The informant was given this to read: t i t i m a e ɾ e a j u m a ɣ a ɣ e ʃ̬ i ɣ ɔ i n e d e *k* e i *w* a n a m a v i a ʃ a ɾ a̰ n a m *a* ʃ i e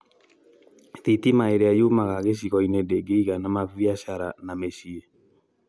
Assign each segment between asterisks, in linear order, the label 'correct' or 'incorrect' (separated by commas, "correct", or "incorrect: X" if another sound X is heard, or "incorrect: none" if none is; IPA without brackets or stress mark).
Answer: incorrect: ɡ, incorrect: ɣ, incorrect: e